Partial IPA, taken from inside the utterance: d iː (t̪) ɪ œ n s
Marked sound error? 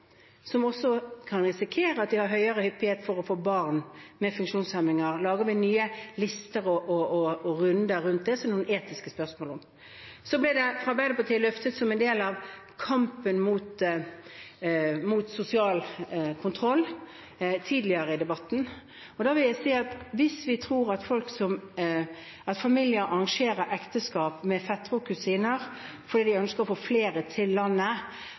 yes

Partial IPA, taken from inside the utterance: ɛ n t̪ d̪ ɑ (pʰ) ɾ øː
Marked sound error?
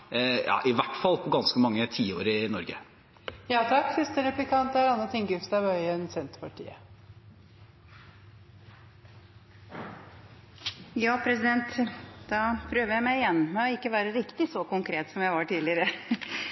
no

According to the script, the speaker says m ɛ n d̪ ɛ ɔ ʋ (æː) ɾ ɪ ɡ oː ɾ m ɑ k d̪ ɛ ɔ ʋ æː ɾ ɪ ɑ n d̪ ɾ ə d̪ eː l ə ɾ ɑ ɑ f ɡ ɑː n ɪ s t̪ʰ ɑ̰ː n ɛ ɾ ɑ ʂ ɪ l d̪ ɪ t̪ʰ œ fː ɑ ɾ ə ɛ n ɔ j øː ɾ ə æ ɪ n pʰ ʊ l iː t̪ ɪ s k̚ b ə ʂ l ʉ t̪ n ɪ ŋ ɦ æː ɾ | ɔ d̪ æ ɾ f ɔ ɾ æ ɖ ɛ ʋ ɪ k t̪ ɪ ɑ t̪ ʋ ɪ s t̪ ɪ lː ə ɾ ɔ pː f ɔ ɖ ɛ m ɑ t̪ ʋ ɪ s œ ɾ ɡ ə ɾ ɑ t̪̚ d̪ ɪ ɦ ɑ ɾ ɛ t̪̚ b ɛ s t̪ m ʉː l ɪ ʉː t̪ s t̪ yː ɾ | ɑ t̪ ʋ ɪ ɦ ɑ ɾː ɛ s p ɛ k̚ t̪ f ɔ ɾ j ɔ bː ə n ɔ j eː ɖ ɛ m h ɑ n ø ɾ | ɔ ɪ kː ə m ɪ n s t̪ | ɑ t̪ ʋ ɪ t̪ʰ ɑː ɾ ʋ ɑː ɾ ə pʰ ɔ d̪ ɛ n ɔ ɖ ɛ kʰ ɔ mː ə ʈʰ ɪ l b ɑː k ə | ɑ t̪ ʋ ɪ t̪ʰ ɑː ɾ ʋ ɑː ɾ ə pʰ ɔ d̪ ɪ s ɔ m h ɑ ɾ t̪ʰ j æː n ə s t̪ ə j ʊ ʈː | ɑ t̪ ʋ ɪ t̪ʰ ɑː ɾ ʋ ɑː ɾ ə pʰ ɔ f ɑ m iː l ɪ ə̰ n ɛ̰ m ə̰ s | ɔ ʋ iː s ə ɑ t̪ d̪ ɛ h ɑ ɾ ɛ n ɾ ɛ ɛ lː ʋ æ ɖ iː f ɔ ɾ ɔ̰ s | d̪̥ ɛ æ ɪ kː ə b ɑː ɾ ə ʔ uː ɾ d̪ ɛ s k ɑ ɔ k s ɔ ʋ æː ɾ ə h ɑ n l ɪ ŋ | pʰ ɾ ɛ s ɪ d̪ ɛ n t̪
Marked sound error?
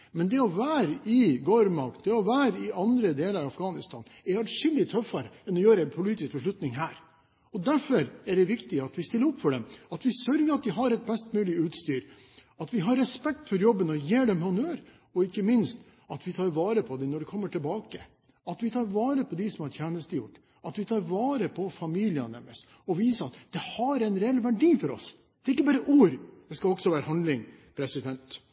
no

